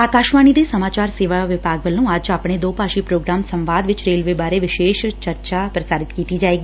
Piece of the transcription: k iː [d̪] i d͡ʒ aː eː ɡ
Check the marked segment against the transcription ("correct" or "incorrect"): incorrect